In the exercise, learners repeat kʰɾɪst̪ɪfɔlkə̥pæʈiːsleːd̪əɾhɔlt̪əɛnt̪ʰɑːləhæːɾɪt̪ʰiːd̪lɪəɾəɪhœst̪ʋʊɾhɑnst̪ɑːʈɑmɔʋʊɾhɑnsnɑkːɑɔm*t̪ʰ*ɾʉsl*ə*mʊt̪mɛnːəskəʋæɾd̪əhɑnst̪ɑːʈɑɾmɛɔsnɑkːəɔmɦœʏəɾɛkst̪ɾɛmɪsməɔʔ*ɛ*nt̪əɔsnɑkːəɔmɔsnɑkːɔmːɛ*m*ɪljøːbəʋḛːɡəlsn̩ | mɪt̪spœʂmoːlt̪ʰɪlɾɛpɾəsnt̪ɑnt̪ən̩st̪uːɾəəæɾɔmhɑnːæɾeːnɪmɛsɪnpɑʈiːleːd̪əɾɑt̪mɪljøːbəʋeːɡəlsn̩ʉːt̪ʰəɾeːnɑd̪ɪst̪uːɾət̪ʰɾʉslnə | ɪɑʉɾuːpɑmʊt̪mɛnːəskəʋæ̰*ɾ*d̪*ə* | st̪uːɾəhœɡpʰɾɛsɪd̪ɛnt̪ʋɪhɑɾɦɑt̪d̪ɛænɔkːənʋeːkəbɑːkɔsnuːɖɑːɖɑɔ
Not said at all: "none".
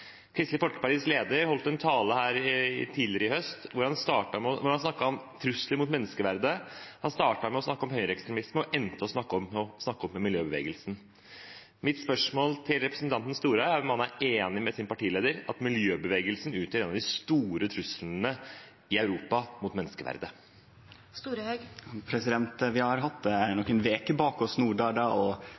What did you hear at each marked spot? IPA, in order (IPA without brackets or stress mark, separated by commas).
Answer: t̪ʰ, ə, ɛ, m, ɾ, ə